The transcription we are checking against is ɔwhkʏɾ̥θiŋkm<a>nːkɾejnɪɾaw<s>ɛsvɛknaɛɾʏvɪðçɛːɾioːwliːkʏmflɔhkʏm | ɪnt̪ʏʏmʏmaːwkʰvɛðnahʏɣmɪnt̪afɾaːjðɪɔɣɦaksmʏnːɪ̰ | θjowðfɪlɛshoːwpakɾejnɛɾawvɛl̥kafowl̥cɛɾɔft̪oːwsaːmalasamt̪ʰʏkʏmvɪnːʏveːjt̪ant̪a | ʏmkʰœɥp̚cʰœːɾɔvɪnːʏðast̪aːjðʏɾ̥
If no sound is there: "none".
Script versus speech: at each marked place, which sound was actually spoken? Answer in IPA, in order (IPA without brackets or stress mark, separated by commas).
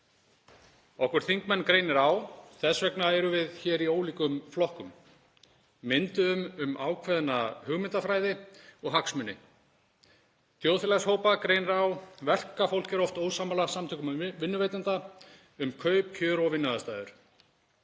ɛ, θ